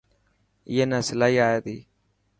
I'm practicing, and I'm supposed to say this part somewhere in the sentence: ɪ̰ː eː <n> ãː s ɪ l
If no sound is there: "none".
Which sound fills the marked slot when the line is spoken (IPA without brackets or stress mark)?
n